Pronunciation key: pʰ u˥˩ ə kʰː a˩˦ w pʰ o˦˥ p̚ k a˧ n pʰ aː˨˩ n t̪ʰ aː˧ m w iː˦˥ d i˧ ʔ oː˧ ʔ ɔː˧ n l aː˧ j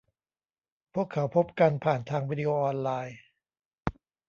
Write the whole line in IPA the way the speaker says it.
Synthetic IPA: pʰ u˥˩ ə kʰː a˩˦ w pʰ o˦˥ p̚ k a˧ n pʰ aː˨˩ n t̪ʰ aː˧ ŋ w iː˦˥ d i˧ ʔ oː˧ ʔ ɔː˧ n l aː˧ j